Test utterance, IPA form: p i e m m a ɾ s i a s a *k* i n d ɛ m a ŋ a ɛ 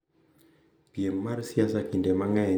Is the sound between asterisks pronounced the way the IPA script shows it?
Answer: yes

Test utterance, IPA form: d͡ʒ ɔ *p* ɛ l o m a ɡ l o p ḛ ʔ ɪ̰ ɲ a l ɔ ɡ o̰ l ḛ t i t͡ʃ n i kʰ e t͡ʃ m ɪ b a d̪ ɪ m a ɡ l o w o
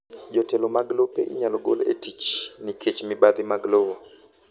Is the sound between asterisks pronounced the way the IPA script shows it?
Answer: no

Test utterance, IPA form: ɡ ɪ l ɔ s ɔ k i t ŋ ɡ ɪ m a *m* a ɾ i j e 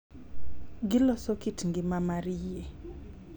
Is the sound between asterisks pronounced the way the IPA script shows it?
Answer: yes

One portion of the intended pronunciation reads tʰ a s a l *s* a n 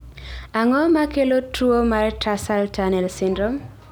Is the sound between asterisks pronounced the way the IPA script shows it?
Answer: no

